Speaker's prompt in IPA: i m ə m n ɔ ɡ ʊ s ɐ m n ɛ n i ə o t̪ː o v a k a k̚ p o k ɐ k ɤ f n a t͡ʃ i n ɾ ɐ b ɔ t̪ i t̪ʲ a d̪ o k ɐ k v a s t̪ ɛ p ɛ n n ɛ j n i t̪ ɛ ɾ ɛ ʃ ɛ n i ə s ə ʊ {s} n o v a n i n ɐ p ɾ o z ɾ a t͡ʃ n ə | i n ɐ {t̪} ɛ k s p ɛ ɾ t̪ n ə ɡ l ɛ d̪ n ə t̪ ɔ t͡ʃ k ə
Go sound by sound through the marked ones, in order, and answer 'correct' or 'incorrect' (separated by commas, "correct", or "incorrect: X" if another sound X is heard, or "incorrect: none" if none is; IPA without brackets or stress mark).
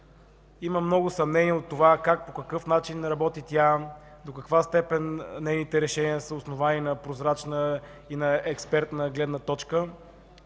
correct, incorrect: none